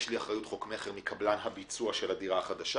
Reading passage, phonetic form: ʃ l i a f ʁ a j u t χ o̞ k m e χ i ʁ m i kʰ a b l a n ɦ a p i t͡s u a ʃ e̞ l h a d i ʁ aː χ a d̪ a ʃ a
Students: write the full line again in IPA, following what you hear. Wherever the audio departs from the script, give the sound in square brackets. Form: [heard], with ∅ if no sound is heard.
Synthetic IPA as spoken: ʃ l i a [χ] ʁ a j u t χ o̞ k m e χ [e] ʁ m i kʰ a b l a n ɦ a [b] i t͡s u a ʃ e̞ l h a d i ʁ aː χ a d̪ a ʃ a